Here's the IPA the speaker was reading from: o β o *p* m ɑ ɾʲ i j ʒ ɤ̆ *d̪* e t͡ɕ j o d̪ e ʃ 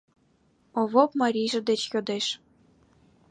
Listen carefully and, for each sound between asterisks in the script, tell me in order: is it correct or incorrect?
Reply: correct, correct

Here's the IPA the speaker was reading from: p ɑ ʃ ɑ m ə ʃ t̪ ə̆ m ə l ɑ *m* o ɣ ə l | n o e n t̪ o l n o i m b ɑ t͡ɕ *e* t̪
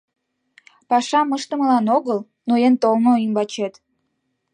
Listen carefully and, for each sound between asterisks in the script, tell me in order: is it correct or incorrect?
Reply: incorrect: n, correct

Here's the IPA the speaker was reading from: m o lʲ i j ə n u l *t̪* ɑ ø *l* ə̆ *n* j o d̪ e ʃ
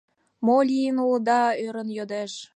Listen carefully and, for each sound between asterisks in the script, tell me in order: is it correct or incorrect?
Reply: incorrect: d̪, incorrect: ɾ, correct

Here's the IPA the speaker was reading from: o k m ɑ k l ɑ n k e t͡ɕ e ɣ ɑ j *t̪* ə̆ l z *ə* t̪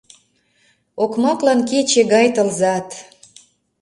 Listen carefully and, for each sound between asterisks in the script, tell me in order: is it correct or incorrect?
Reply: correct, incorrect: ɑ

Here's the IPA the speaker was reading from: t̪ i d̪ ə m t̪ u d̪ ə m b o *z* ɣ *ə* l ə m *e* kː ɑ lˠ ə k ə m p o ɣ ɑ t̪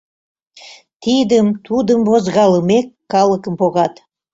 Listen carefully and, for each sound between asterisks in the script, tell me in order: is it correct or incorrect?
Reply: correct, incorrect: ɑ, correct

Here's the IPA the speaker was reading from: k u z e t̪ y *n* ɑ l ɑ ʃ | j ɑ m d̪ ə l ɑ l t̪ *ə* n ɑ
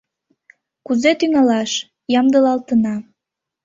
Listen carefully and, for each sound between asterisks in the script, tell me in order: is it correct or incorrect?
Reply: incorrect: ŋ, correct

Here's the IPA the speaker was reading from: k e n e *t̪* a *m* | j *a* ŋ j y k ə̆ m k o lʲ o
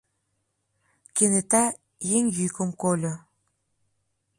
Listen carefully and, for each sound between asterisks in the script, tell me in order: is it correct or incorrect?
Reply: correct, incorrect: none, incorrect: e

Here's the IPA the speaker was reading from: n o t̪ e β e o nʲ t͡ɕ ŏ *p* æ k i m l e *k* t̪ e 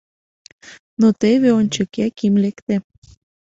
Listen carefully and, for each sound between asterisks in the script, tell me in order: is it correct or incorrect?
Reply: incorrect: k, correct

